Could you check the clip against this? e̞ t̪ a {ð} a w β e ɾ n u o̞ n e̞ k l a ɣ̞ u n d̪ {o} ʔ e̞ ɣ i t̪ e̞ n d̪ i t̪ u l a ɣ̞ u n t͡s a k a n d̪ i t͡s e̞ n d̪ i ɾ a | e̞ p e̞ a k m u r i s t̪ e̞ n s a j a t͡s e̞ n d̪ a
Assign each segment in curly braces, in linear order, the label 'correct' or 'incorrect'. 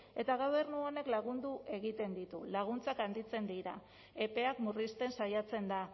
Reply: incorrect, incorrect

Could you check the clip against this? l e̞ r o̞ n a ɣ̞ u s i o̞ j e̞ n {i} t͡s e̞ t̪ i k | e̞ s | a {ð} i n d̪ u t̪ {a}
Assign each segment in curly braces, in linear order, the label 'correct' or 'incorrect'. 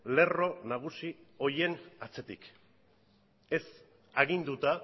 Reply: incorrect, incorrect, correct

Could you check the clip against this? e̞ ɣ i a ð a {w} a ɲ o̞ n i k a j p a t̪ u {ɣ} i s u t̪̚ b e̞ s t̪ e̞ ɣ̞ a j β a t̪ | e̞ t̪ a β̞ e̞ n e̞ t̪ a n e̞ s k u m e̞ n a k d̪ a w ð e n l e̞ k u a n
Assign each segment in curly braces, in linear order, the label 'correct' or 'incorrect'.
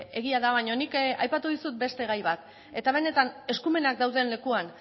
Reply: incorrect, incorrect

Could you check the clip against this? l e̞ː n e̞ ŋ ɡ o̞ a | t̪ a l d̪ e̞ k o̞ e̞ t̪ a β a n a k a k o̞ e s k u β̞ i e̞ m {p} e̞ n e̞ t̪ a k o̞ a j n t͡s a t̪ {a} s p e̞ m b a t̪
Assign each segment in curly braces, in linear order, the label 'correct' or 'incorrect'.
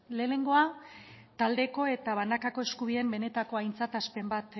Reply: incorrect, correct

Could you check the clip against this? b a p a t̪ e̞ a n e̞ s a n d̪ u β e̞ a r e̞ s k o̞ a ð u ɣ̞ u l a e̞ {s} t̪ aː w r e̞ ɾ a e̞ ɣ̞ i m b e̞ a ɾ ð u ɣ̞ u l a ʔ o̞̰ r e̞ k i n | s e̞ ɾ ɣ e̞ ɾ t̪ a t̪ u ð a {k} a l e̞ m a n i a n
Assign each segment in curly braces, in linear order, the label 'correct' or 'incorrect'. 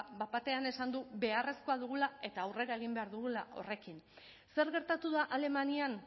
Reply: incorrect, incorrect

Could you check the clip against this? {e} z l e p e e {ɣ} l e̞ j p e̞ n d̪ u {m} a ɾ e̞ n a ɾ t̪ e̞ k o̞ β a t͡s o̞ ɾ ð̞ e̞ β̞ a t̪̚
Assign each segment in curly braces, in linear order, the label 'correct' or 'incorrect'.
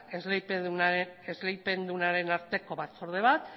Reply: correct, incorrect, incorrect

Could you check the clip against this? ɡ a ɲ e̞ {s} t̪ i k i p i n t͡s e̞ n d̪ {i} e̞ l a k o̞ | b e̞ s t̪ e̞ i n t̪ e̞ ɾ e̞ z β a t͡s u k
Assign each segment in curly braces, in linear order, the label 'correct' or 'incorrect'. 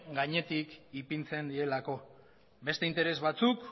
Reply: incorrect, correct

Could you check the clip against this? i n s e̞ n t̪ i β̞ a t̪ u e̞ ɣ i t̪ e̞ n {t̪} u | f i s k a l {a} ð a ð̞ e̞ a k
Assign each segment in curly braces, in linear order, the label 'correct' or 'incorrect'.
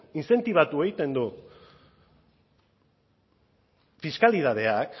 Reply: incorrect, incorrect

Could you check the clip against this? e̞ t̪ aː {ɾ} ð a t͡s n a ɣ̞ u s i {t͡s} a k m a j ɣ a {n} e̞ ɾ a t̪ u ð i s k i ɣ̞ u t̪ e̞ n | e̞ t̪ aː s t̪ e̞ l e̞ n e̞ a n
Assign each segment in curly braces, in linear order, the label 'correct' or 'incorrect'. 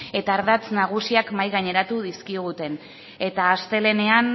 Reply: correct, incorrect, incorrect

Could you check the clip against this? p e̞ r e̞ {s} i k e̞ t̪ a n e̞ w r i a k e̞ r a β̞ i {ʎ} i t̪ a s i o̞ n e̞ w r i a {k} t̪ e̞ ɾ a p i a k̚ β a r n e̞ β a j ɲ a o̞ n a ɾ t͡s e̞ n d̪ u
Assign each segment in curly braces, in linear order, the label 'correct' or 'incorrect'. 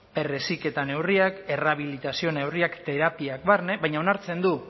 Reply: correct, incorrect, correct

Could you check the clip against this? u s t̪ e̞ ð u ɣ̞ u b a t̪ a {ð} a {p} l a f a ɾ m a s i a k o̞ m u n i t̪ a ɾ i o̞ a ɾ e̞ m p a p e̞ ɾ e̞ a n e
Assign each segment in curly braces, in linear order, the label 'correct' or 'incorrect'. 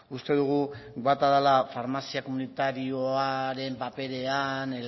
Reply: correct, incorrect

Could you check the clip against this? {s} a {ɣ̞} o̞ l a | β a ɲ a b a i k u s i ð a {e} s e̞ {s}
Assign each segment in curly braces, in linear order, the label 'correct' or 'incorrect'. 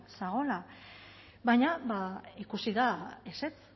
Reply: correct, correct, correct, incorrect

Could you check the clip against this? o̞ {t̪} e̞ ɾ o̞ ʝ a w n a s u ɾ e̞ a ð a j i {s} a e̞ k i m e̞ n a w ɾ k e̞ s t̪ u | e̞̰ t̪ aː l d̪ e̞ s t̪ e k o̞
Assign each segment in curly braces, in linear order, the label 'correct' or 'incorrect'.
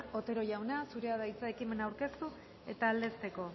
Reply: correct, incorrect

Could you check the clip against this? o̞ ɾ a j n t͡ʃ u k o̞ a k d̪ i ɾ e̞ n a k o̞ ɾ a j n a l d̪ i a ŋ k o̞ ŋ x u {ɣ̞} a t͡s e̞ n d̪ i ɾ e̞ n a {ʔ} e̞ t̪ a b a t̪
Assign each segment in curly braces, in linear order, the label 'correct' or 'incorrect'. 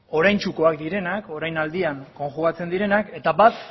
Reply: correct, incorrect

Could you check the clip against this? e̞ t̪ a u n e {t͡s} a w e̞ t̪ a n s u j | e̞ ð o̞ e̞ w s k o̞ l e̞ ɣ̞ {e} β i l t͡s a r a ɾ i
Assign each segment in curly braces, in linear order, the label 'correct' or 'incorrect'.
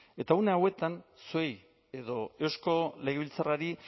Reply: incorrect, correct

